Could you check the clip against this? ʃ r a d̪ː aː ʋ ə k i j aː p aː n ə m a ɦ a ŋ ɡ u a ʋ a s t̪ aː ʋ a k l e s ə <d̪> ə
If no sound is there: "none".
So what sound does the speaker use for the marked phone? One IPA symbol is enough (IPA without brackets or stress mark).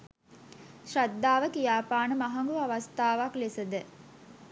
d̪